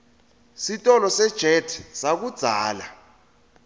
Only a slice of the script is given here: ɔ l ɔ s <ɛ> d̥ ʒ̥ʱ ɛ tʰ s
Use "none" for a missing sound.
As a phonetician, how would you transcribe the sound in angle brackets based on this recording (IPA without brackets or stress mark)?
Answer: ɛ